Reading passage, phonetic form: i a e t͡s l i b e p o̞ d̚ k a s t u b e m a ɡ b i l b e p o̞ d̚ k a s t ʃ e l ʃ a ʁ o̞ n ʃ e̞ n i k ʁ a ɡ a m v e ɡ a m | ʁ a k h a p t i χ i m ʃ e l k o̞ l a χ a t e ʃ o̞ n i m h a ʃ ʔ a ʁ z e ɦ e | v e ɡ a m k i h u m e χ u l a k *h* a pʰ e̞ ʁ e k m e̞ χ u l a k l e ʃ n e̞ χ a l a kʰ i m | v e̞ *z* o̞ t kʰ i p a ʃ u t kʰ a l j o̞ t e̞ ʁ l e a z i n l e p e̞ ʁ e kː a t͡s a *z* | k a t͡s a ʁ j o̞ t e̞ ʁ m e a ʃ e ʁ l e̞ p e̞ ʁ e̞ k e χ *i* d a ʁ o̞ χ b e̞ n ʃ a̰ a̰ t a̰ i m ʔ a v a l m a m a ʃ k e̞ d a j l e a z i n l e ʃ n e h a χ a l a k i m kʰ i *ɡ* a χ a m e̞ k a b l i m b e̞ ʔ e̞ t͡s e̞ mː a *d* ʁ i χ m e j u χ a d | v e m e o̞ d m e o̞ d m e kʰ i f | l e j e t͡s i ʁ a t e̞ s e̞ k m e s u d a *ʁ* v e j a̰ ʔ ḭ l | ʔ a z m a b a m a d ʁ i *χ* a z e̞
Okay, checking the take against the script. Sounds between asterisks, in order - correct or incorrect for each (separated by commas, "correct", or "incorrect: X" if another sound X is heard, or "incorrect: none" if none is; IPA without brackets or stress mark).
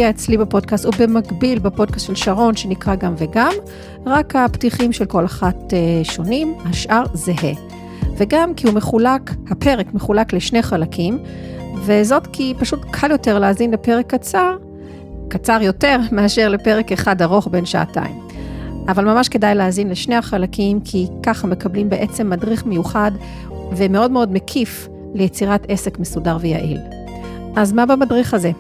correct, correct, incorrect: ʁ, incorrect: a, incorrect: k, correct, correct, correct